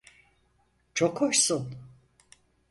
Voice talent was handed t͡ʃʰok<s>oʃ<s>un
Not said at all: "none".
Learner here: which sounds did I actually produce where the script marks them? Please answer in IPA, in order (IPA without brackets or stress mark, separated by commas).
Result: h, s